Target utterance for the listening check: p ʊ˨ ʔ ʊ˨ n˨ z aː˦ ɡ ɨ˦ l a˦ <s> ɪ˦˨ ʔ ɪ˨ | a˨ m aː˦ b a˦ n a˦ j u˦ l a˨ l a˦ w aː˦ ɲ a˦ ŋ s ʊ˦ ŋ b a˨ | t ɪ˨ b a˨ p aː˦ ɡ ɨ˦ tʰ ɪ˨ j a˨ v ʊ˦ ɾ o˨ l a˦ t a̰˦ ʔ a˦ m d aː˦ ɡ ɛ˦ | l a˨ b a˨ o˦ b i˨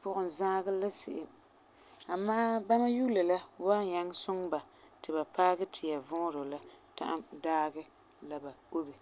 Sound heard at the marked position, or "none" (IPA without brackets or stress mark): s